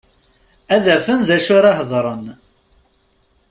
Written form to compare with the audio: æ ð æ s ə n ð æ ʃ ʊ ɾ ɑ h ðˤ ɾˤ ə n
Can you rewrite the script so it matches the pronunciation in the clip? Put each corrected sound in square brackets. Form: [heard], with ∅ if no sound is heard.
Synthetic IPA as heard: æ ð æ [f] ə n ð æ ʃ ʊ ɾ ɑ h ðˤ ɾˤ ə n